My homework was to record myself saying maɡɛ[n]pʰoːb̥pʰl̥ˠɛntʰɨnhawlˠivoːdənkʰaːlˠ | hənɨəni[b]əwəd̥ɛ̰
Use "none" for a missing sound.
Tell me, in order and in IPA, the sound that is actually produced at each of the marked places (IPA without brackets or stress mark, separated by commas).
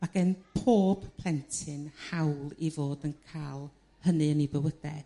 n, b